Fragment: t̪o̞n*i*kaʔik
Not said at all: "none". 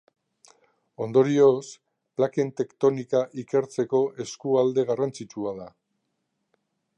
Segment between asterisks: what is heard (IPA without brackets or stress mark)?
i